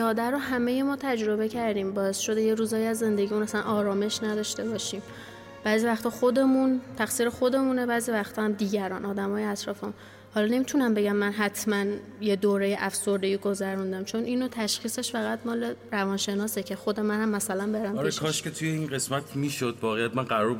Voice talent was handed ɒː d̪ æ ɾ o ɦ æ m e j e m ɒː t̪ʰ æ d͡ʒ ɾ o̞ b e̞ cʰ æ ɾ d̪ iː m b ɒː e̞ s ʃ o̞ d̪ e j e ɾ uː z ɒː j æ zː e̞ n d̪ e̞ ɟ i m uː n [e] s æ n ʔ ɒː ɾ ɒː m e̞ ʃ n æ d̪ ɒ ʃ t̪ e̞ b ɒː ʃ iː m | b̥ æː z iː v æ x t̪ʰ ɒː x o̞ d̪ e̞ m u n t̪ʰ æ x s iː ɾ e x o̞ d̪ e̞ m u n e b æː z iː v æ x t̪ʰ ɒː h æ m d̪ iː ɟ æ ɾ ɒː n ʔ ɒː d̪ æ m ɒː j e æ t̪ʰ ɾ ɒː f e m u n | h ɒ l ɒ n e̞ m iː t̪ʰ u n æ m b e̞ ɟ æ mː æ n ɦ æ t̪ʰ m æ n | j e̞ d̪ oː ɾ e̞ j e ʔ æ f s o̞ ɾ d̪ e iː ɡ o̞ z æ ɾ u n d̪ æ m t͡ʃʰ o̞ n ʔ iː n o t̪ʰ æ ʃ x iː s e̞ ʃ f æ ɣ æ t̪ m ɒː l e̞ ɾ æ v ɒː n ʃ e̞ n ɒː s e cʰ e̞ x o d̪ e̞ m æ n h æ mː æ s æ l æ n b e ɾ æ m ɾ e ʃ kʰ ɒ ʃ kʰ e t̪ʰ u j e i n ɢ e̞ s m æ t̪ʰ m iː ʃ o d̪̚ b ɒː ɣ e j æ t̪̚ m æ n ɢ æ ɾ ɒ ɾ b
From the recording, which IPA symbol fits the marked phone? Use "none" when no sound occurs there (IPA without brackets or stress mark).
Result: æ